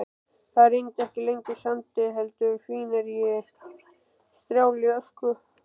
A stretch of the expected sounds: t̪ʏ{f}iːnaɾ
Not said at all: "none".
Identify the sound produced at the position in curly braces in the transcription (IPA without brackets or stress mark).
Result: f